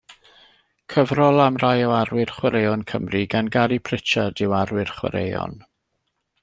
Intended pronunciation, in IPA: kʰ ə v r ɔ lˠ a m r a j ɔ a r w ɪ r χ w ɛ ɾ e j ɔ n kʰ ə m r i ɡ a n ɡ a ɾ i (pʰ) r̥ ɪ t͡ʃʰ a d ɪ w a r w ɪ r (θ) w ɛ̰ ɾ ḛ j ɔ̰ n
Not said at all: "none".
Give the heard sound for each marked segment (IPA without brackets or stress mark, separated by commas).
pʰ, χ